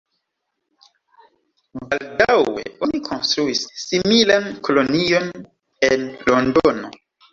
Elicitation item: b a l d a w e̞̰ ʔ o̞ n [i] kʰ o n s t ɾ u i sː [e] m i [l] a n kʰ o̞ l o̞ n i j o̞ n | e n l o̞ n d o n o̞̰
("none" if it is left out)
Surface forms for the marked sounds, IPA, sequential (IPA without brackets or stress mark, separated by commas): i, i, l